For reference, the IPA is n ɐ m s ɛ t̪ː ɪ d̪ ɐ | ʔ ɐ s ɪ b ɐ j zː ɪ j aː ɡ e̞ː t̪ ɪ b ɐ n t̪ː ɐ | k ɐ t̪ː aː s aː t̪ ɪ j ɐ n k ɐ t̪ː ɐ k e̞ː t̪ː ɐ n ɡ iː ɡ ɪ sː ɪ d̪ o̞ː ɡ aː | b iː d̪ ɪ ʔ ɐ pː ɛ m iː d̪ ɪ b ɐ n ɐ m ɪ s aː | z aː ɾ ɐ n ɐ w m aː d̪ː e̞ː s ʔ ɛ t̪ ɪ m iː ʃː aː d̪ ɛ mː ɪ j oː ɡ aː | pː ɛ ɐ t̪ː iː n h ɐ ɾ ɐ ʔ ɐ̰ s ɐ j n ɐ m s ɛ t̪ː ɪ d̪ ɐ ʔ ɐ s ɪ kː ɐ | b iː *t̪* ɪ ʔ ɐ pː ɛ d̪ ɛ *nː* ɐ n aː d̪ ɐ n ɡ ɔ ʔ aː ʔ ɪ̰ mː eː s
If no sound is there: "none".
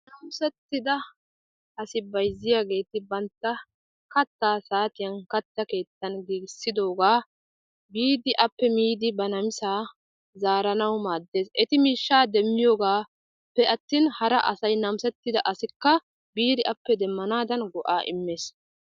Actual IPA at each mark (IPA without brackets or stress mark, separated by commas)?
d̪, mː